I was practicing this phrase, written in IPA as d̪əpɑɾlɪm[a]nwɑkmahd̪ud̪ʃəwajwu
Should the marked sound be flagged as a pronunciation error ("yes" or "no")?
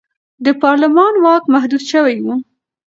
yes